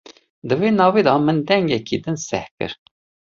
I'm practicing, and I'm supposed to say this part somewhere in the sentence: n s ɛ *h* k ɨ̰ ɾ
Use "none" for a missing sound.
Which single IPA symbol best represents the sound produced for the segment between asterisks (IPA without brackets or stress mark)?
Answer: h